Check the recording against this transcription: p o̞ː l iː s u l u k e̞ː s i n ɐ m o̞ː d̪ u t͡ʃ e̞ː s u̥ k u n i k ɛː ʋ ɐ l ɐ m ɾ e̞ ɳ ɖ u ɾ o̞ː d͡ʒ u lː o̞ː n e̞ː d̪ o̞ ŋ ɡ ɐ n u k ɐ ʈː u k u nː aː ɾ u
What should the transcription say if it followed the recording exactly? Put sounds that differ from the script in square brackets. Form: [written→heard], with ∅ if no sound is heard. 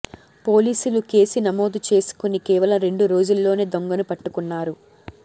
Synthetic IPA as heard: p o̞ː l iː s u l u k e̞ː s i n ɐ m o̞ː d̪ u t͡ʃ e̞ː s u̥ k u n i k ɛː ʋ ɐ l ɐ m ɾ e̞ ɳ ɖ u ɾ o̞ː d͡ʒ u lː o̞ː n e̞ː d̪ o̞ ŋ ɡ ɐ n u [k→p] ɐ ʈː u k u nː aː ɾ u

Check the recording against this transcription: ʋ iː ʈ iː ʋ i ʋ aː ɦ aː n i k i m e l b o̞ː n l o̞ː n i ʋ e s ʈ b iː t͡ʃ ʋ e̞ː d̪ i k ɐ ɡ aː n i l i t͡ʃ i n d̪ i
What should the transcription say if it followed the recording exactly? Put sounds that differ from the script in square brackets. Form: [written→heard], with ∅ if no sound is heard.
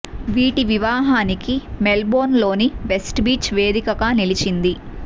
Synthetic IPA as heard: ʋ iː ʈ [iː→i] ʋ i ʋ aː ɦ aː n i k i m e l b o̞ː n l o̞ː n i ʋ e s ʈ b iː t͡ʃ ʋ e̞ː d̪ i k ɐ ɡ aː n i l i t͡ʃ i n d̪ i

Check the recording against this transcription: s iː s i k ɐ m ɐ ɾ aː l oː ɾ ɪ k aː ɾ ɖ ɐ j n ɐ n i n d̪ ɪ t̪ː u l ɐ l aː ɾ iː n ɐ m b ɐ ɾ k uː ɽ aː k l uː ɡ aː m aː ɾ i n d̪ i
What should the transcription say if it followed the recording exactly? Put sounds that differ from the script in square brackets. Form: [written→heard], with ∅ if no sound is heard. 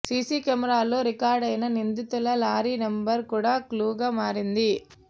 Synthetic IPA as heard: s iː s i k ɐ m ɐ ɾ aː l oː ɾ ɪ k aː ɾ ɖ ɐ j n ɐ n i n d̪ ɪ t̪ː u l ɐ l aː ɾ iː n ɐ m b ɐ ɾ k uː ɽ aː k l uː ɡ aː m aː ɾ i n d̪ i

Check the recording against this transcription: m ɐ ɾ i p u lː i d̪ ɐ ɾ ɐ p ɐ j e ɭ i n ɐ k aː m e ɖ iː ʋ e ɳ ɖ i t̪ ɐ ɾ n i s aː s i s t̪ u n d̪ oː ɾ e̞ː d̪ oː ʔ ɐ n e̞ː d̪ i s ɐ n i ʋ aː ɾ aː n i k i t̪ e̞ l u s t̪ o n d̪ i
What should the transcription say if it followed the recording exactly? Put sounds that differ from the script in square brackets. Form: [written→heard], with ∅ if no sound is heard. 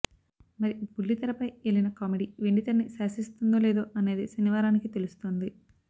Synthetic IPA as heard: m ɐ ɾ i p u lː i [d̪→t̪] ɐ ɾ ɐ p ɐ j e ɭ i n ɐ k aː m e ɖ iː ʋ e ɳ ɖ i t̪ ɐ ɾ n i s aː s i s t̪ u n d̪ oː [ɾ→l] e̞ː d̪ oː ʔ ɐ n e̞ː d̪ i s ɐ n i ʋ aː ɾ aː n i k i t̪ e̞ l u s t̪ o n d̪ i

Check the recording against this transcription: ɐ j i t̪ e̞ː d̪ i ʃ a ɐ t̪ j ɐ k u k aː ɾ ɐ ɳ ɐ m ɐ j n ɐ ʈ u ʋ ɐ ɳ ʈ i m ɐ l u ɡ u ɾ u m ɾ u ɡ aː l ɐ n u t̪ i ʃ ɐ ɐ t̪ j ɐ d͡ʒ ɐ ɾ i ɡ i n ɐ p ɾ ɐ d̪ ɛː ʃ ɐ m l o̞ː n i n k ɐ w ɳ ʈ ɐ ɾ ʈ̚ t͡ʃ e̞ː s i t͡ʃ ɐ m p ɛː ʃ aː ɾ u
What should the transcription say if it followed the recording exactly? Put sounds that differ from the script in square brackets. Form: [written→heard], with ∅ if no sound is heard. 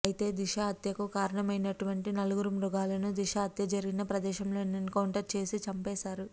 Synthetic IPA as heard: ɐ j i t̪ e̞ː d̪ i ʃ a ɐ t̪ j ɐ k u k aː ɾ ɐ ɳ ɐ m ɐ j n ɐ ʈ u ʋ ɐ ɳ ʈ i [m→n] ɐ l u ɡ u ɾ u m ɾ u ɡ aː l ɐ n u [t̪→d̪] i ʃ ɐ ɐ t̪ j ɐ d͡ʒ ɐ ɾ i ɡ i n ɐ p ɾ ɐ d̪ ɛː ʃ ɐ m l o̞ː n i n k ɐ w ɳ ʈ ɐ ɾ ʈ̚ t͡ʃ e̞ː s i t͡ʃ ɐ m p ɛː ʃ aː ɾ u

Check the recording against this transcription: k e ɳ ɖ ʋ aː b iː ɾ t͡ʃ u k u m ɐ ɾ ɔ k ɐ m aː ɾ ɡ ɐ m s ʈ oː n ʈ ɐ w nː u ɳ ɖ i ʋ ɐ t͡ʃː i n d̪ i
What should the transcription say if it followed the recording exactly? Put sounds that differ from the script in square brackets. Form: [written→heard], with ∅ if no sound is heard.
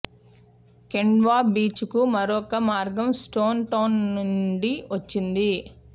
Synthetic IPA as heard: k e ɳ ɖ ʋ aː b iː [ɾ→∅] t͡ʃ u k u m ɐ ɾ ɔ k ɐ m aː ɾ ɡ ɐ m s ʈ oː n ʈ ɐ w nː u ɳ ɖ i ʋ ɐ t͡ʃː i n d̪ i

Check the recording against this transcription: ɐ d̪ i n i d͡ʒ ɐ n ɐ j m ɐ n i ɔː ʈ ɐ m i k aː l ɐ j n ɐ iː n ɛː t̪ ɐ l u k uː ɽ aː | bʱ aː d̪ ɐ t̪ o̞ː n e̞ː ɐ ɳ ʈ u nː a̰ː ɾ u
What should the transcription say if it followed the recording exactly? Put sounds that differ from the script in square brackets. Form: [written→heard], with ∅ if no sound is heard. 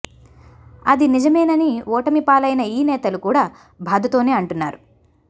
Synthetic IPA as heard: ɐ d̪ i n i d͡ʒ ɐ [n→m] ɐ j [m→n] ɐ n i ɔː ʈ ɐ m i [k→p] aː l ɐ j n ɐ iː n ɛː t̪ ɐ l u k uː ɽ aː | bʱ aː d̪ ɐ t̪ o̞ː n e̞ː ɐ ɳ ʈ u nː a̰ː ɾ u

